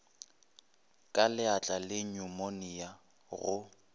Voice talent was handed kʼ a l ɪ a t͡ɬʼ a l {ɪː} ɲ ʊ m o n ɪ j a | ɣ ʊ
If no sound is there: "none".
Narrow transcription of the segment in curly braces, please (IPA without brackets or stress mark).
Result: ɪ